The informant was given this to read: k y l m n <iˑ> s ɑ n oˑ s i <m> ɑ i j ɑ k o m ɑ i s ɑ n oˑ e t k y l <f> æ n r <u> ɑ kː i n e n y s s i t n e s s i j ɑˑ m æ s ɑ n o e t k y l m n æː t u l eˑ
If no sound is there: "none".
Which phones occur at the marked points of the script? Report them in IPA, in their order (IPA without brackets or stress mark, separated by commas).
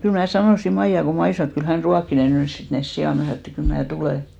æˑ, m, h, u